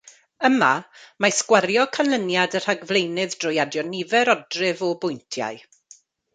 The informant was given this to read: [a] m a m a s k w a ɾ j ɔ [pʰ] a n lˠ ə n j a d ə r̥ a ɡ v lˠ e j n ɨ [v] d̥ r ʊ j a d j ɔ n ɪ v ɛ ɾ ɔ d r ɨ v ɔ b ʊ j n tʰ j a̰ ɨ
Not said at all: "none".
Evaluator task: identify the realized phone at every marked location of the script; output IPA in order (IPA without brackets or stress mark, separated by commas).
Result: ə, kʰ, ð